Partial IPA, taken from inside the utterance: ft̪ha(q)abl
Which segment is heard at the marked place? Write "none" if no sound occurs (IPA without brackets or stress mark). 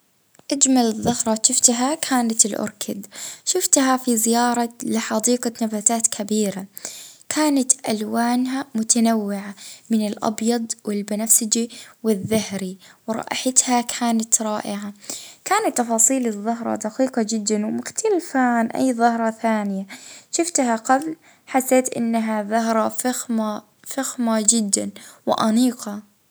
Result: q